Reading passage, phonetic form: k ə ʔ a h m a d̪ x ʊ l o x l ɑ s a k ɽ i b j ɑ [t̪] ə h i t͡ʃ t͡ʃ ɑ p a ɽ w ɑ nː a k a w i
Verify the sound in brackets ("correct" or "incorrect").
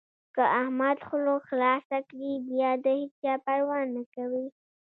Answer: incorrect